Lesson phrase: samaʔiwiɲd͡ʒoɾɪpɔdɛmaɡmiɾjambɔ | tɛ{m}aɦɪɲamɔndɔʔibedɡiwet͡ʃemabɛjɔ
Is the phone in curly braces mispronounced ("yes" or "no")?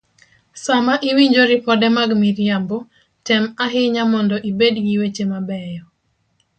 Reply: no